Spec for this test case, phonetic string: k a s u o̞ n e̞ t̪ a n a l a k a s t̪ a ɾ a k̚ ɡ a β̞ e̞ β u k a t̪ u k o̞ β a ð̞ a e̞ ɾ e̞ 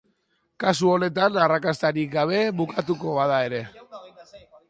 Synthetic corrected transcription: k a s u o̞ n e̞ t̪ a n a r a k a s t̪ a ɾ i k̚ ɡ a β̞ e̞ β u k a t̪ u k o̞ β a ð̞ a e̞ ɾ e̞